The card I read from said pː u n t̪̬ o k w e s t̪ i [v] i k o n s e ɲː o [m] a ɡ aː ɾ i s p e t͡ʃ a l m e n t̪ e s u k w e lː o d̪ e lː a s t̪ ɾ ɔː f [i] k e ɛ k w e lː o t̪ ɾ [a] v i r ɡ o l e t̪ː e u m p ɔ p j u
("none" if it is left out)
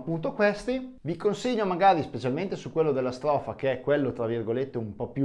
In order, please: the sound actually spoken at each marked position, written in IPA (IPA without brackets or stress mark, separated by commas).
v, m, a, a